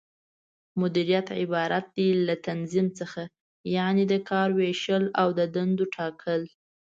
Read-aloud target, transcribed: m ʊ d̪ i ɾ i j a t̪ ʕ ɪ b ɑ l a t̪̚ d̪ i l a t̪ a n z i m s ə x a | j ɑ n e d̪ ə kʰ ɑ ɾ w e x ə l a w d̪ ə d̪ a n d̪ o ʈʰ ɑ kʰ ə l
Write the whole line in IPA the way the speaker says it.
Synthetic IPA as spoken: m ʊ d̪ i ɾ i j a t̪ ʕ ɪ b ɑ ɾ a t̪̚ d̪ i l a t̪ a n z i m t͡s ə x a | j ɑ n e d̪ ə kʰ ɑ ɾ w e ʃ ə l a w d̪ ə d̪ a n d̪ o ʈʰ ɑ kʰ ə l